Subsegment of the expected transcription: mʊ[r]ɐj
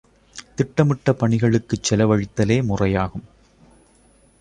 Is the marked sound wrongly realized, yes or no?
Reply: no